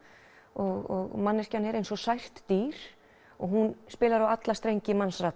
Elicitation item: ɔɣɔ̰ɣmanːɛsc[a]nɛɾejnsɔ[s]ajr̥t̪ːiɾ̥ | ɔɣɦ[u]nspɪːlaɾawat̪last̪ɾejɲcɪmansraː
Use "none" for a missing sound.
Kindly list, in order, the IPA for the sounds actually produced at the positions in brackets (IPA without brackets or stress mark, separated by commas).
a, s, u